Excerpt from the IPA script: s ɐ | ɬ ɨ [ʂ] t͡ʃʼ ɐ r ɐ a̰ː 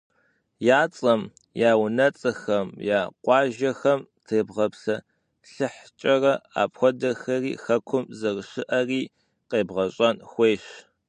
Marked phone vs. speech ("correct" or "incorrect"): incorrect